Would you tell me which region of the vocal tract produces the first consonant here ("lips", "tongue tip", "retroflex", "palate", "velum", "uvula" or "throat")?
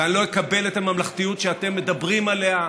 tongue tip